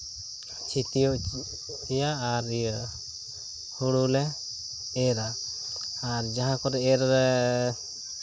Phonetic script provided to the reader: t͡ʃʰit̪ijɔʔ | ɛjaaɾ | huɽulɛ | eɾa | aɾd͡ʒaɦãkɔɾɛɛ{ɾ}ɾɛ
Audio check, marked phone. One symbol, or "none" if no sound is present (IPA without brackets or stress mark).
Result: ɾ